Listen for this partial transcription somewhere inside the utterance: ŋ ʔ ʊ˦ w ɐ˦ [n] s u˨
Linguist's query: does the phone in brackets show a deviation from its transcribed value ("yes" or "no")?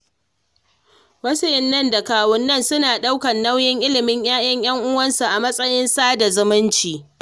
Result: no